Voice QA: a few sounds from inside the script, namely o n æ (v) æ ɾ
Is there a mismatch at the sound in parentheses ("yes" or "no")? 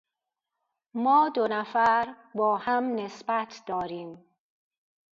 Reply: yes